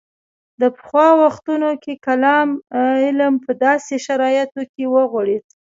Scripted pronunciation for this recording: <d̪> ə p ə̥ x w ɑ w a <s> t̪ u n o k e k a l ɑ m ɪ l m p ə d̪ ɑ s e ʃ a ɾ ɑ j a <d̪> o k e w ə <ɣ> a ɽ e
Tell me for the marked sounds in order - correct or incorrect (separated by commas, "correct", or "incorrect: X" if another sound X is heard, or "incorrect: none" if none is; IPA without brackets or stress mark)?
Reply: correct, incorrect: x, incorrect: t̪, correct